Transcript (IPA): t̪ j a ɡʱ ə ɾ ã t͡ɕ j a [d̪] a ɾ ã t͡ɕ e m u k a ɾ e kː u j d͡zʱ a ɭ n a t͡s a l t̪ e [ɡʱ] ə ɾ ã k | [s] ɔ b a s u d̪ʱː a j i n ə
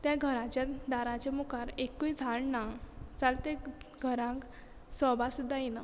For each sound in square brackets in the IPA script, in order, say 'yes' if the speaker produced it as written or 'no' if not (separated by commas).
yes, yes, yes